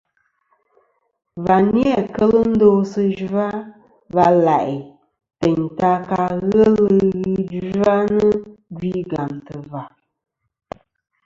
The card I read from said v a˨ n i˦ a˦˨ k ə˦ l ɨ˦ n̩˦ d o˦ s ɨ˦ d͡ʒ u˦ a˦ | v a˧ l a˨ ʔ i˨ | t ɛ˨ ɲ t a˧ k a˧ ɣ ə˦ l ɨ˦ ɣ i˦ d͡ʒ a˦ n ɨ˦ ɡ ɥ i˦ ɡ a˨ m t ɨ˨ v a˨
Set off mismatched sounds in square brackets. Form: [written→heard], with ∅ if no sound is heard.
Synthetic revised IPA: v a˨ n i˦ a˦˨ k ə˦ l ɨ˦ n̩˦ d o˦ s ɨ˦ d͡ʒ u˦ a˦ | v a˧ l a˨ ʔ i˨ | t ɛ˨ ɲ t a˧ k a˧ ɣ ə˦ l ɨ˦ ɣ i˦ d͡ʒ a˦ n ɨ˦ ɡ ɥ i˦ ɡ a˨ m t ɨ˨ v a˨